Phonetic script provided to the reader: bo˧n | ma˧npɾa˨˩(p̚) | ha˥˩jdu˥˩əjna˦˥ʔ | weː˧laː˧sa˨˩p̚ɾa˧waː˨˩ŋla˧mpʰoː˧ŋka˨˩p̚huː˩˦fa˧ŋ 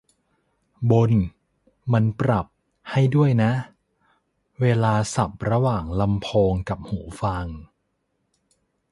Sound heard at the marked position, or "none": p̚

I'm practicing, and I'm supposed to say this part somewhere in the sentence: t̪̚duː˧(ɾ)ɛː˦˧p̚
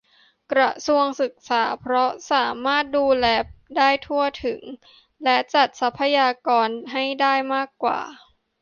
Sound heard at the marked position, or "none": l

